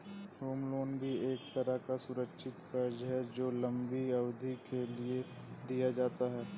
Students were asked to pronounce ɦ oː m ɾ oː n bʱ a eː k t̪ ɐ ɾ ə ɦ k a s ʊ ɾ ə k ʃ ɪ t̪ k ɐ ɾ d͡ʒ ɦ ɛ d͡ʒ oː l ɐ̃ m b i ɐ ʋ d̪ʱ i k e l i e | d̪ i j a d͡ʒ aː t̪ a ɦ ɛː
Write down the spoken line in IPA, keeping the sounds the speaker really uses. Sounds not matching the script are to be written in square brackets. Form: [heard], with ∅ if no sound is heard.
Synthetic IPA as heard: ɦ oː m [l] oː n bʱ [i] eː k t̪ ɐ ɾ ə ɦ k a s ʊ ɾ ə k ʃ ɪ t̪ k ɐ ɾ d͡ʒ ɦ ɛ d͡ʒ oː l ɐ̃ m b i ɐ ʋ d̪ʱ i k e l i e | d̪ i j a d͡ʒ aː t̪ a ɦ ɛː

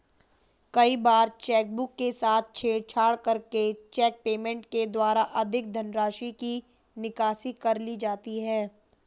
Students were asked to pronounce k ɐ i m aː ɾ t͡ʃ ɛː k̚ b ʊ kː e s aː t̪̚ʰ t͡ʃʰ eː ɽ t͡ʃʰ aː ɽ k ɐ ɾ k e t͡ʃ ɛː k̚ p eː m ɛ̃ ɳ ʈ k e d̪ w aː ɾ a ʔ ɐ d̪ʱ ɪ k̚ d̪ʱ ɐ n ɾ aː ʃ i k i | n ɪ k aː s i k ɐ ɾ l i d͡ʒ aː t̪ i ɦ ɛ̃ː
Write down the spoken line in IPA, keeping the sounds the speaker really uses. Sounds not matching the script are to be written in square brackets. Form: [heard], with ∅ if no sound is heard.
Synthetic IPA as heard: k ɐ i [b] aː ɾ t͡ʃ ɛː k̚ b ʊ kː e s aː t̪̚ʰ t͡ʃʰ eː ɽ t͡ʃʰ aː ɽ k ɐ ɾ k e t͡ʃ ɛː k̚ p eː m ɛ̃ ɳ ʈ k e d̪ w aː ɾ a ʔ ɐ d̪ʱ ɪ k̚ d̪ʱ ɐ n ɾ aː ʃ i k i | n ɪ k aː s i k ɐ ɾ l i d͡ʒ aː t̪ i ɦ [ɛː]

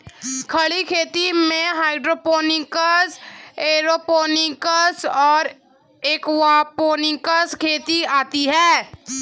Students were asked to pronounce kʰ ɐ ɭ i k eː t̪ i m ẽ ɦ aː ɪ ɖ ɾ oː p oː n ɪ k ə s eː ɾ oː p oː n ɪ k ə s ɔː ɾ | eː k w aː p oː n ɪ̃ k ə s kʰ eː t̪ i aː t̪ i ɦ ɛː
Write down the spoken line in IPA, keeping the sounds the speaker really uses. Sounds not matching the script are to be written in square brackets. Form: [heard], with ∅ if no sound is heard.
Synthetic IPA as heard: kʰ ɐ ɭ i [kʰ] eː t̪ i m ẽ ɦ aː ɪ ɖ ɾ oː p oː n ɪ k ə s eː ɾ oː p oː n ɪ k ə s ɔː ɾ | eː k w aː p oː n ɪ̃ k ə s kʰ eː t̪ i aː t̪ i ɦ ɛː

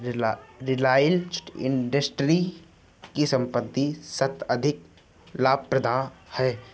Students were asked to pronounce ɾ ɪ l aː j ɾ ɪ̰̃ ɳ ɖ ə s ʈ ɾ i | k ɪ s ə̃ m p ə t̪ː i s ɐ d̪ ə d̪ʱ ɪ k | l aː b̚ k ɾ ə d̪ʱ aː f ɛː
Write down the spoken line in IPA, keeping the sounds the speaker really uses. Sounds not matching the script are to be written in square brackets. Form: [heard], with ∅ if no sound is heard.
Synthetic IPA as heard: ɾ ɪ l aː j [l] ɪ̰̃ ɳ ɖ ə s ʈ ɾ i | k [i] s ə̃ m p ə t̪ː i s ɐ [t̪] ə d̪ʱ ɪ k | l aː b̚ [p] ɾ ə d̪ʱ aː [h] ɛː

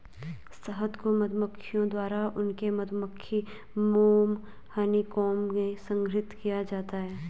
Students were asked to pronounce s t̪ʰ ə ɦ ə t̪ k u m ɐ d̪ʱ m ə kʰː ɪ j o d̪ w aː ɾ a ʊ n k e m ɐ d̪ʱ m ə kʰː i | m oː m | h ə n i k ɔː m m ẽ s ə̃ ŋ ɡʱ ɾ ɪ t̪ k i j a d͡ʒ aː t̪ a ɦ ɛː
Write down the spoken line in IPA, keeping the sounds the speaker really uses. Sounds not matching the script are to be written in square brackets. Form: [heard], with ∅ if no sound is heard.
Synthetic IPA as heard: s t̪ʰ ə ɦ ə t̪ k [o] m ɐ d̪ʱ m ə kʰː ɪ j [õ] d̪ w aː ɾ a ʊ n k e m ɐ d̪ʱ m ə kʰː i | m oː m | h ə n i k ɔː m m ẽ s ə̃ ŋ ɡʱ ɾ ɪ t̪ k i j a d͡ʒ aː t̪ a ɦ ɛː

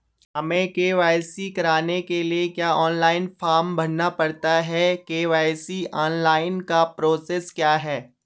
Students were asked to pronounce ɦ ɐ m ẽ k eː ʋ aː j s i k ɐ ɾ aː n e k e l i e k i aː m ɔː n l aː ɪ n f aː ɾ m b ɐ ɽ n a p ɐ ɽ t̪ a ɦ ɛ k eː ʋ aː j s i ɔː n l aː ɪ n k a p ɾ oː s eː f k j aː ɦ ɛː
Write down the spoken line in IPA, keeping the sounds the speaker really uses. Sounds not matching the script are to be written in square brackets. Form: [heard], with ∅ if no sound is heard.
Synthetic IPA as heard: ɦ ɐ m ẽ k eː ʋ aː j s i k ɐ ɾ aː n e k e l i e k [j] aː [∅] ɔː n l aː ɪ n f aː ɾ m b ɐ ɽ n a p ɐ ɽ t̪ a ɦ ɛ k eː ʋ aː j s i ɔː n l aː ɪ n k a p ɾ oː s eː [s] k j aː ɦ ɛː

